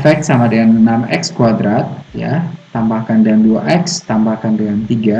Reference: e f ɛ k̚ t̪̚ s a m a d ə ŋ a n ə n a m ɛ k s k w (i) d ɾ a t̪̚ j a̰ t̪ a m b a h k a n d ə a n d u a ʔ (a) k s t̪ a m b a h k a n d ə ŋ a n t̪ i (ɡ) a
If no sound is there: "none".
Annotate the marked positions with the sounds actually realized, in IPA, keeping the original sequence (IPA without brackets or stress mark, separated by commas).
a, ɛ, ɡ